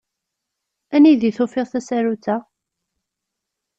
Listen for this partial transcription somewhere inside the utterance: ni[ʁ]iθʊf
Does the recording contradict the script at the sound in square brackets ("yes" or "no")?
yes